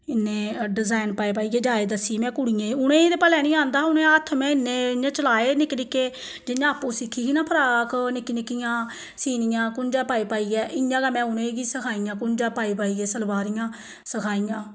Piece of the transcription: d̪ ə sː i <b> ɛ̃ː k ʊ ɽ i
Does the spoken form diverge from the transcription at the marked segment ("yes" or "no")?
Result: yes